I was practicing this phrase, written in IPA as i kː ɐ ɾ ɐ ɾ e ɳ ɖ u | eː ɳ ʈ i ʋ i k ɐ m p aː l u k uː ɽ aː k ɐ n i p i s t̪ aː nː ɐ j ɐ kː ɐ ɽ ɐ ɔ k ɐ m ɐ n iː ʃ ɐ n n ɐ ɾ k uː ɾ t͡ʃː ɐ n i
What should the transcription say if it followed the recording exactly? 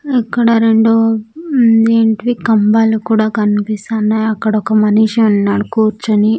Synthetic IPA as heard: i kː ɐ ɽ ɐ ɾ e ɳ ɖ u | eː ɳ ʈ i ʋ i k ɐ m b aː l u k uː ɽ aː k ɐ n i p i s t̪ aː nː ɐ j ɐ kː ɐ ɽ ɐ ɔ k ɐ m ɐ n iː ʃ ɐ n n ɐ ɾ k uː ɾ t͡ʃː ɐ n i

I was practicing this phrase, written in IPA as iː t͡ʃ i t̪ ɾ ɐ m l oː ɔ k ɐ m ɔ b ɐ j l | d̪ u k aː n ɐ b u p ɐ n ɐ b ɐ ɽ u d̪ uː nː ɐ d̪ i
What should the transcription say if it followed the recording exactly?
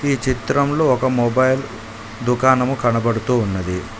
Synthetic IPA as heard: iː t͡ʃ i t̪ ɾ ɐ m l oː ɔ k ɐ m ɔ b ɐ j l | d̪ u k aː n ɐ m u k ɐ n ɐ b ɐ ɽ u t̪ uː nː ɐ d̪ i

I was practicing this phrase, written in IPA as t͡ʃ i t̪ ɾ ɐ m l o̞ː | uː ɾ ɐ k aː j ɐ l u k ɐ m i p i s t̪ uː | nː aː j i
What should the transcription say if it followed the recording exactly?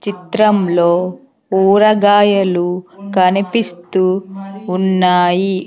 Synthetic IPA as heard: t͡ʃ i t̪ ɾ ɐ m l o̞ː | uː ɾ ɐ ɡ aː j ɐ l u k ɐ n i p i s t̪ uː | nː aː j i

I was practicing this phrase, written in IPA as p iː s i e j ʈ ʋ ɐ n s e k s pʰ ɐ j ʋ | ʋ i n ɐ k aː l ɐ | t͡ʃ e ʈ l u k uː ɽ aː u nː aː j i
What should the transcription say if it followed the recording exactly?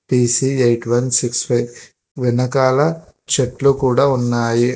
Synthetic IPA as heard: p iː s i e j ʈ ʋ ɐ n s i k s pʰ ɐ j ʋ | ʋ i n ɐ k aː l ɐ | t͡ʃ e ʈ l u k uː ɽ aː u nː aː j i

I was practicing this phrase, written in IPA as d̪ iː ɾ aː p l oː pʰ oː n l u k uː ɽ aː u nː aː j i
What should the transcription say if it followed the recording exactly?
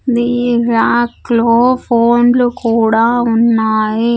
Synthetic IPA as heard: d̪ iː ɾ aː k l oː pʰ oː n l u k uː ɽ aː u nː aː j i

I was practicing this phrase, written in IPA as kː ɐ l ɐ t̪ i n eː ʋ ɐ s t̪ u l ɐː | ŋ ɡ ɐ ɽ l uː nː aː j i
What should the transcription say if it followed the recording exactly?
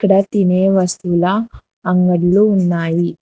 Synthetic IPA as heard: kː ɐ ɽ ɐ t̪ i n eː ʋ ɐ s t̪ u l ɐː | ŋ ɡ ɐ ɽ l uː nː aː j i

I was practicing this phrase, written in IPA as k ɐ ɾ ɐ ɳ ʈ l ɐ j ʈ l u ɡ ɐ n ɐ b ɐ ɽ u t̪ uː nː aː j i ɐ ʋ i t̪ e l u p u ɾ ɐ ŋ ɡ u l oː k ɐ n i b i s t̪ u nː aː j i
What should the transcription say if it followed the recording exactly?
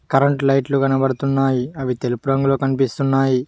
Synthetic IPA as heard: k ɐ ɾ ɐ ɳ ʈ l ɐ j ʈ l u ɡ ɐ n ɐ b ɐ ɽ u t̪ u nː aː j i ɐ ʋ i t̪ e l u p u ɾ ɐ ŋ ɡ u l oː k ɐ n i p i s t̪ u nː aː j i

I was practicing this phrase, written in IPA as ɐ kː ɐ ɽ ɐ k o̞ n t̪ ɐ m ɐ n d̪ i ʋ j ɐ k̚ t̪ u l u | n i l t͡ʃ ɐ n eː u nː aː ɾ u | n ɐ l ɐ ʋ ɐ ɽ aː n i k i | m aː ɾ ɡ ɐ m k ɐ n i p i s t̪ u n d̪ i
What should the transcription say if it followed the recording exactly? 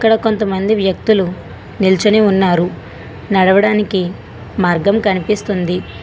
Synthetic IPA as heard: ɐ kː ɐ ɽ ɐ k o̞ n t̪ ɐ m ɐ n d̪ i ʋ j ɐ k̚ t̪ u l u | n i l t͡ʃ ɐ n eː u nː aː ɾ u | n ɐ ɽ ɐ ʋ ɐ ɽ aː n i k i | m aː ɾ ɡ ɐ m k ɐ n i p i s t̪ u n d̪ i

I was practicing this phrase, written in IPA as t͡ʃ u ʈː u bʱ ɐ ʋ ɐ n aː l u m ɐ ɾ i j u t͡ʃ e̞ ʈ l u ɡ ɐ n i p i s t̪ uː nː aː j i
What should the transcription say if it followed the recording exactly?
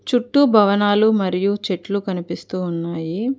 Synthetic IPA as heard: t͡ʃ u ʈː u bʱ ɐ ʋ ɐ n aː l u m ɐ ɾ i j u t͡ʃ e̞ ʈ l u k ɐ n i p i s t̪ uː nː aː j i

